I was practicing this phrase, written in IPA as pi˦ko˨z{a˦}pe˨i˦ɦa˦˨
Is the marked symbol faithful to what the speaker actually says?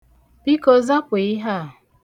yes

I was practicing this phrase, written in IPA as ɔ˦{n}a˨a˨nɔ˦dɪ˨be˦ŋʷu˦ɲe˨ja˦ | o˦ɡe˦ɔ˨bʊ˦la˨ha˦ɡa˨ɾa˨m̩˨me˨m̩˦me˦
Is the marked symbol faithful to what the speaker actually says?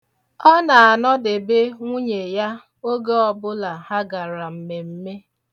yes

